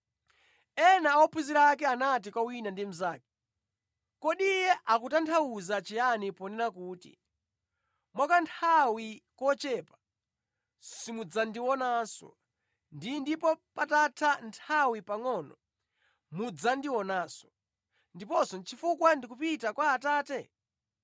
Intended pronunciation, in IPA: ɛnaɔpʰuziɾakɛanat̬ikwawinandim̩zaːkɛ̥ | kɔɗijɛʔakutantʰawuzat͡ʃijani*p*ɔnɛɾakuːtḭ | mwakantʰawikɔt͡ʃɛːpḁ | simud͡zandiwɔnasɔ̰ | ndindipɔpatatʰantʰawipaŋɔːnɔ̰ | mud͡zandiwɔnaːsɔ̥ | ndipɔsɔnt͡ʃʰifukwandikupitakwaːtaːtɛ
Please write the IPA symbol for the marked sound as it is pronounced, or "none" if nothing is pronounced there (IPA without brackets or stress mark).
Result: p